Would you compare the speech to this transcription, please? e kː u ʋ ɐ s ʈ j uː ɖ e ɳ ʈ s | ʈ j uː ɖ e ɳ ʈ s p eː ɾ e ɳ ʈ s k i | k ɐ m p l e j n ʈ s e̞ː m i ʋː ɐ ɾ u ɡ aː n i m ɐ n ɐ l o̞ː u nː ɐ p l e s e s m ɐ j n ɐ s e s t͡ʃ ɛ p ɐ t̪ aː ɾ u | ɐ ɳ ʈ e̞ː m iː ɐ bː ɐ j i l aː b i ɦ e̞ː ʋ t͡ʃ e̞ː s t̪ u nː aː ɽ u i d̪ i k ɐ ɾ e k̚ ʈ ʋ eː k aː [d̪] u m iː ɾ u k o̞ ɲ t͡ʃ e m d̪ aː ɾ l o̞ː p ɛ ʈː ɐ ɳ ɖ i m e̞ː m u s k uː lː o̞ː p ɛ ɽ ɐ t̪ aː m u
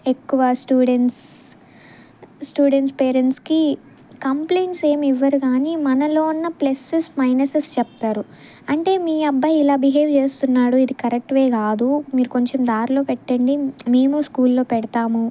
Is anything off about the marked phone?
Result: no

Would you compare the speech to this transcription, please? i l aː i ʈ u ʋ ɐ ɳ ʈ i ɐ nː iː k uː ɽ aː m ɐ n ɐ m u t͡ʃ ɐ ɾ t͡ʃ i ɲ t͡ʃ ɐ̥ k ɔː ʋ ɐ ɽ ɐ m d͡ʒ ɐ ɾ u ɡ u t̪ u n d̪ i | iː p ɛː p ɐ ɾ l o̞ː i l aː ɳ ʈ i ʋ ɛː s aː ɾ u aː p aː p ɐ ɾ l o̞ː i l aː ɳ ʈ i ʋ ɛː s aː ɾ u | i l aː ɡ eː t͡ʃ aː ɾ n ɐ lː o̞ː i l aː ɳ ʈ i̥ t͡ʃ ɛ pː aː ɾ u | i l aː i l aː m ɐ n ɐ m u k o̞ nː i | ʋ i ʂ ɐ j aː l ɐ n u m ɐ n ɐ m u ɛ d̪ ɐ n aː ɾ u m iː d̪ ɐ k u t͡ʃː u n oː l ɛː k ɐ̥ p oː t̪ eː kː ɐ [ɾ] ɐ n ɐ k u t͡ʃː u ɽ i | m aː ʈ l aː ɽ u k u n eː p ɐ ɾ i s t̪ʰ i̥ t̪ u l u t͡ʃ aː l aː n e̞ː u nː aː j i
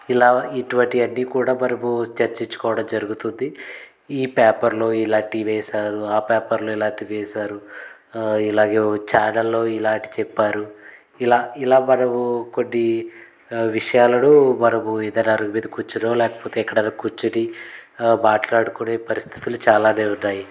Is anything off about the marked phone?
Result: yes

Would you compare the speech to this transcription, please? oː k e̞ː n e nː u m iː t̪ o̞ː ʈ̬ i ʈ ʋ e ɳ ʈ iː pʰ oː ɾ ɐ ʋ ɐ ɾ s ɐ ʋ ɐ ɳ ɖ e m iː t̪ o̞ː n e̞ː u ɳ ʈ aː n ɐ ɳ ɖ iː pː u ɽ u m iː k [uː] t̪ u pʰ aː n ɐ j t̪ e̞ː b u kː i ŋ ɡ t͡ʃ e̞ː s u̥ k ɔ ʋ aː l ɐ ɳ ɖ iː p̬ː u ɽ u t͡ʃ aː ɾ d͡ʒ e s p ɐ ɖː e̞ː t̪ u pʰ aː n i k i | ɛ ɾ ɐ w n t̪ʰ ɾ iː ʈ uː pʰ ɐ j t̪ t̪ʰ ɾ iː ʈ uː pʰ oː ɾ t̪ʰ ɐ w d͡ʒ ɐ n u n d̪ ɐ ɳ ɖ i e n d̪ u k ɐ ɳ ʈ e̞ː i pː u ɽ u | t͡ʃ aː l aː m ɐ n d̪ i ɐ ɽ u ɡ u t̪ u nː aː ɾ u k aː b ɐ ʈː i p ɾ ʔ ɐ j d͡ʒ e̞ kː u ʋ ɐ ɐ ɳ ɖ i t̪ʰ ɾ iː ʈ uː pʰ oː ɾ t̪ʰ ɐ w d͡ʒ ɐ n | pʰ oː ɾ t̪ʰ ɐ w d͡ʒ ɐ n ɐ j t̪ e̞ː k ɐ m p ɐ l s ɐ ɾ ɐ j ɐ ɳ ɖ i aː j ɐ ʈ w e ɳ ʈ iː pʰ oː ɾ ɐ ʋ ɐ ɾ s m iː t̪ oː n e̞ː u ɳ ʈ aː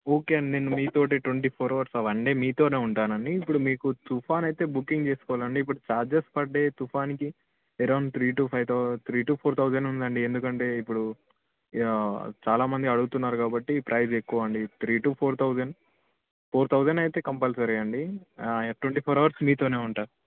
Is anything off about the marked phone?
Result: yes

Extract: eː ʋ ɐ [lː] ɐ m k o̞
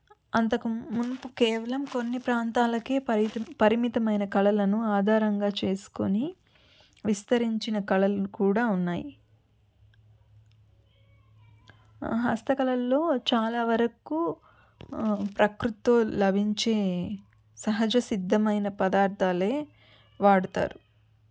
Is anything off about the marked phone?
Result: yes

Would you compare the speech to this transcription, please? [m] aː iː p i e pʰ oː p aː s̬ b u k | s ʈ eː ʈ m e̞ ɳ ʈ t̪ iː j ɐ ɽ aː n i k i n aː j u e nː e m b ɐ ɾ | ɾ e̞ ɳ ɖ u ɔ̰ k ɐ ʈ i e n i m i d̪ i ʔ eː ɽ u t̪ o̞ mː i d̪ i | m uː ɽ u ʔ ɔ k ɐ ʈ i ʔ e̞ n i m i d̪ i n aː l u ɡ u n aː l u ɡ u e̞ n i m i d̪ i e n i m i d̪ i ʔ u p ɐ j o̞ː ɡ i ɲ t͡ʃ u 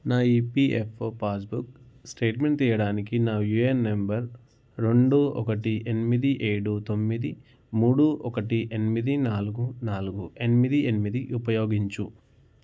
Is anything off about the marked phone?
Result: yes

